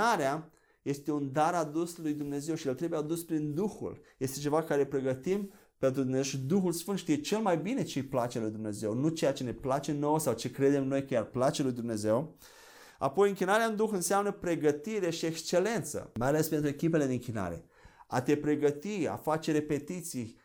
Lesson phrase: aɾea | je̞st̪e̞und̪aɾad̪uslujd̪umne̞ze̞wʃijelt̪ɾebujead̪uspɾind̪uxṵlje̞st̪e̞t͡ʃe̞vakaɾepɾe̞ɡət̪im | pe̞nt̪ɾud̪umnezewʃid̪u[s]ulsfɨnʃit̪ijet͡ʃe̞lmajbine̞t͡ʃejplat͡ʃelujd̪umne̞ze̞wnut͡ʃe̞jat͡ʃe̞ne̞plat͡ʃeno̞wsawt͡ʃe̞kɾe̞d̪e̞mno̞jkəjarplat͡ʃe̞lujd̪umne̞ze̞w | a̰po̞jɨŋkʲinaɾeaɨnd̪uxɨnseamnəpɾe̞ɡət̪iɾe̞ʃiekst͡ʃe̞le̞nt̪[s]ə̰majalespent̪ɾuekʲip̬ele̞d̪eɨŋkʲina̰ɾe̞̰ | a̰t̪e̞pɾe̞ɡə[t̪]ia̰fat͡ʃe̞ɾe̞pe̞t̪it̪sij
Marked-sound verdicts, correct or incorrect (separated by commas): incorrect, correct, correct